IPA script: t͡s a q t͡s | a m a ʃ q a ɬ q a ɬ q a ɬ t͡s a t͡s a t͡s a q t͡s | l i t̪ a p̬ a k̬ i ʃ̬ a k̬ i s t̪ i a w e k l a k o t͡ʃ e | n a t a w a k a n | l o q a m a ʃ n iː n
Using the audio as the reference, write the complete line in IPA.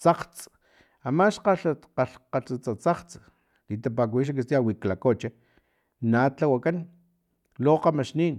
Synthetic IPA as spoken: t͡s a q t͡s | a m a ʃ q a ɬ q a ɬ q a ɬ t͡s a t͡s a t͡s a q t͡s | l i t̪ a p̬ a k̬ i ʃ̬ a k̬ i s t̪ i a w i k l a k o t͡ʃ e | n a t a w a k a n | l o q a m a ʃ n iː n